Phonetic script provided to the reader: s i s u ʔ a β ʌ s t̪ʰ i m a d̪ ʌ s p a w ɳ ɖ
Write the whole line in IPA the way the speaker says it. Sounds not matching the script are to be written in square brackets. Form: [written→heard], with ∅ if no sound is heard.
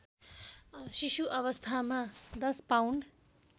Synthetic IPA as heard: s i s u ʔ [a→ʌ] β ʌ s t̪ʰ [i→a] m a d̪ ʌ s p a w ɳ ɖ